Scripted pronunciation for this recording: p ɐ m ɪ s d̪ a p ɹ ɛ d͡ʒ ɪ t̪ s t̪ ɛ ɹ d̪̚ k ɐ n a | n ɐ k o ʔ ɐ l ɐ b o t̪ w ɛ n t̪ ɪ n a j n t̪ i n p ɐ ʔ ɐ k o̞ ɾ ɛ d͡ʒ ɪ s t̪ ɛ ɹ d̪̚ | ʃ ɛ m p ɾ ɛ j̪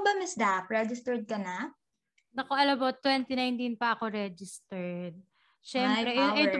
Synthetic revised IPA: b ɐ m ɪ s d̪ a p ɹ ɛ d͡ʒ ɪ s t̪ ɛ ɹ d̪̚ k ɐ n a | n ɐ k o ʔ ɐ l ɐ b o t̪ w ɛ n t̪ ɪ n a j n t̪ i n p ɐ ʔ ɐ k o̞ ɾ ɛ d͡ʒ ɪ s t̪ ɛ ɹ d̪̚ | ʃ ɛ m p ɾ ɛ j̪